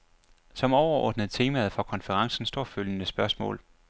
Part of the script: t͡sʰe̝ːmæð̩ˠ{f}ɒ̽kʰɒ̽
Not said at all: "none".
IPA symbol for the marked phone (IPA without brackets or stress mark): f